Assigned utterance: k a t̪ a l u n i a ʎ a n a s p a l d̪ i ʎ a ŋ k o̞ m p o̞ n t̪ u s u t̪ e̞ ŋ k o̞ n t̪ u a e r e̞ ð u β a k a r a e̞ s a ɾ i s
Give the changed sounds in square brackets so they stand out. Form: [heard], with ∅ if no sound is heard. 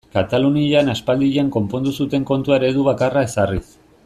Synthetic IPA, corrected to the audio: k a t̪ a l u n i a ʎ a n a s p a l d̪ i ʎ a ŋ k o̞ m p o̞ n [d̪] u s u t̪ e̞ ŋ k o̞ n t̪ u a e [ɾ] e̞ ð u β a k a r a e̞ s a [r] i s